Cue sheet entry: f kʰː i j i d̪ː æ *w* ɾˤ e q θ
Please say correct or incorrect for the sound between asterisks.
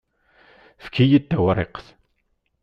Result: correct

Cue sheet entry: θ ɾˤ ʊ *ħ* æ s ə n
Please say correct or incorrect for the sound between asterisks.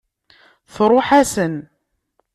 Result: correct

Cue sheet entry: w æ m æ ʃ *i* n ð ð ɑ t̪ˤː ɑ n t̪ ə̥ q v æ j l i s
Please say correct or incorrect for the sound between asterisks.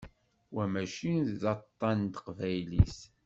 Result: correct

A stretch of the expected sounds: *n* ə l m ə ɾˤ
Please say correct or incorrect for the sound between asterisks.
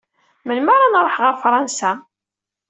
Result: incorrect: m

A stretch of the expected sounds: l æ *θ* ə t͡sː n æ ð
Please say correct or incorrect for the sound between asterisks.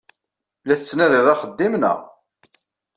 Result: correct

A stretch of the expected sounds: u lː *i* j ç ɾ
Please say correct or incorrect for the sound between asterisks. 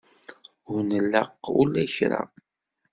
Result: incorrect: æ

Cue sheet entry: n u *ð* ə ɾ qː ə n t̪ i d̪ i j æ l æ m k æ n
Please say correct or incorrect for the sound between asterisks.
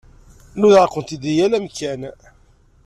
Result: correct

